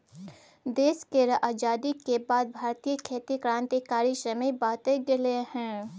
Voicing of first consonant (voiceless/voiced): voiced